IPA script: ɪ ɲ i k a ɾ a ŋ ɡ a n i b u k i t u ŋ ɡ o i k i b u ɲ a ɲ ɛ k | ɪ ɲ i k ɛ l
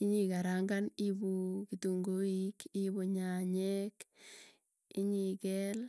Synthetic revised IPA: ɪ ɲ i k a ɾ a ŋ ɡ a n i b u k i t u ŋ ɡ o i k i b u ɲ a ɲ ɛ k | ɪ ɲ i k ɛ l